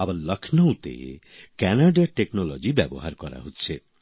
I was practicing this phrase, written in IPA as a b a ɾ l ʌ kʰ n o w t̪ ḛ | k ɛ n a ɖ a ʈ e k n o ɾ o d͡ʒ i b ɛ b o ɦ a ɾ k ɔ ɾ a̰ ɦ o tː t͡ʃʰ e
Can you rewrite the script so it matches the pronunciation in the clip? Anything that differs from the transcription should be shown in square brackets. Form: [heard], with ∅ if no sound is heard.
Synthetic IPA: a b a ɾ l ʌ kʰ n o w t̪ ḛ | k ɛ n a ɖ a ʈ e k n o [l] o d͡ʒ i b ɛ b o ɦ a ɾ k ɔ ɾ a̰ ɦ o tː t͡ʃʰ e

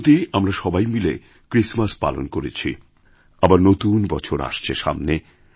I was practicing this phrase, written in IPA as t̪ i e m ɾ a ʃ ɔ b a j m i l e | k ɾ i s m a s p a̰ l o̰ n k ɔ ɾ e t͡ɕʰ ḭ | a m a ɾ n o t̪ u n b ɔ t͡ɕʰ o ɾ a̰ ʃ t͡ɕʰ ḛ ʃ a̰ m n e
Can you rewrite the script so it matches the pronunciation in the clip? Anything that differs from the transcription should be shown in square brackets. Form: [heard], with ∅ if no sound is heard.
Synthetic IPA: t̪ i [a] m ɾ a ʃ ɔ b a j m i l e | k ɾ i s m a s p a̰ l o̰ n k [o] ɾ e t͡ɕʰ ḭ | a [b] a ɾ n o t̪ u n b ɔ t͡ɕʰ o ɾ a̰ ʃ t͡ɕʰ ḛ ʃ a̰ m n e

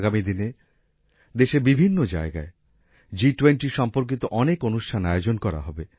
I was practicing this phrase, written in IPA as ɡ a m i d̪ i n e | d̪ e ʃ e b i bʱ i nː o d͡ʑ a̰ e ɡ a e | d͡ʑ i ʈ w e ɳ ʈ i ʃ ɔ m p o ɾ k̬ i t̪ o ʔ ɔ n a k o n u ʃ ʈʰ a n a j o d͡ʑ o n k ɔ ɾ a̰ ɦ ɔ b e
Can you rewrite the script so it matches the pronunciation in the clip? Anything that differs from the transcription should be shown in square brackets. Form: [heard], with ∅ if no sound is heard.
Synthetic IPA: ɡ a m i d̪ i n e | d̪ e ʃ e b i bʱ i nː o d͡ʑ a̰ e ɡ a e | d͡ʑ i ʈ w e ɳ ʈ i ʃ ɔ m p o ɾ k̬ i t̪ o ʔ ɔ n [e] k o n u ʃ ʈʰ a n a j o d͡ʑ o n k ɔ ɾ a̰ ɦ ɔ b e

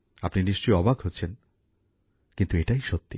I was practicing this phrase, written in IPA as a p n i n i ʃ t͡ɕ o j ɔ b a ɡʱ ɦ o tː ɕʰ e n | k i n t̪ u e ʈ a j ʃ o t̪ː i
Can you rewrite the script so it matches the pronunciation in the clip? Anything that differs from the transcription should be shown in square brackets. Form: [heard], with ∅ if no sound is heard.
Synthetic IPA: a p n i n i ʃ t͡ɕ o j ɔ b a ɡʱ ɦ o tː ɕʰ e n | k i n t̪ u e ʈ a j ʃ o t̪ː i

